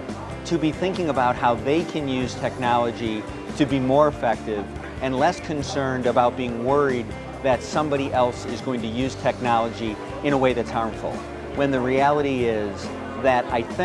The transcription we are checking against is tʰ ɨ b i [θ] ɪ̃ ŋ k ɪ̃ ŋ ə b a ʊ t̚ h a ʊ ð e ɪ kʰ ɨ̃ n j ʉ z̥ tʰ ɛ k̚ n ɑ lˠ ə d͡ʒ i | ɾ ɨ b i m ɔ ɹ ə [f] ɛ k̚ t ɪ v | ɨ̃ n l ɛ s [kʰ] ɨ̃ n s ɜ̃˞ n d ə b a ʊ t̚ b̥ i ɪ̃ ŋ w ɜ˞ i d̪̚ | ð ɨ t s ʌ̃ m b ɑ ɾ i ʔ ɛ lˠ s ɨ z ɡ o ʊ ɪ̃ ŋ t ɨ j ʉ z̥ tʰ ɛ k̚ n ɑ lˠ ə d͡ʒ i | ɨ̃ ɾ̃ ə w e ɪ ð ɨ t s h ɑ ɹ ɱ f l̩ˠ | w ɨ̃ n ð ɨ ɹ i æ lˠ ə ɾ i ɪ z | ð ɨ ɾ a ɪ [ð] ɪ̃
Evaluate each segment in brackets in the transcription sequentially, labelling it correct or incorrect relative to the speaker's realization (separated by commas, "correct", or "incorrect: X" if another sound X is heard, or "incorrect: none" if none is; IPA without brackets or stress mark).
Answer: correct, correct, correct, incorrect: θ